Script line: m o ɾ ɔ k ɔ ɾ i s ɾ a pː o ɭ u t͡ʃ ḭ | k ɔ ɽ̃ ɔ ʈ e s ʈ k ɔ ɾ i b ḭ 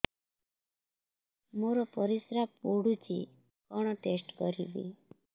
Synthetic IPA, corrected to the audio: m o ɾ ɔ p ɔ ɾ i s ɾ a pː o ɽ u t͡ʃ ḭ | k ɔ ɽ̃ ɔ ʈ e s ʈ k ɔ ɾ i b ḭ